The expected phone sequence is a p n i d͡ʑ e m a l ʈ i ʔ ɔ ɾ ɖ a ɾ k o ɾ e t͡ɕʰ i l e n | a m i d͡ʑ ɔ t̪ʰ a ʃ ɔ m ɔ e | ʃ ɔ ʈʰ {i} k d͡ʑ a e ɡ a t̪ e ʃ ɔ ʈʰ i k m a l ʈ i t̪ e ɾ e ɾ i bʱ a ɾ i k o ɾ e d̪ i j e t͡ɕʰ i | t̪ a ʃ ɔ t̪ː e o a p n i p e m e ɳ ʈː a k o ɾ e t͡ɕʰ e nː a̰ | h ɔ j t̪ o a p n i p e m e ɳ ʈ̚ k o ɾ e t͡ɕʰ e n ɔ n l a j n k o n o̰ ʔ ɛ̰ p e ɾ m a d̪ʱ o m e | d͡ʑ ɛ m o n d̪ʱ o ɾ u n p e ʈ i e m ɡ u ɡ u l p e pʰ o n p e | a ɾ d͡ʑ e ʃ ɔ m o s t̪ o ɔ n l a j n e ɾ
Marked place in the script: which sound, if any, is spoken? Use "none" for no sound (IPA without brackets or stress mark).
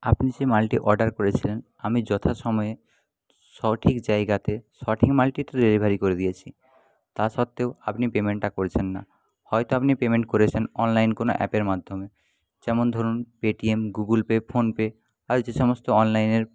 i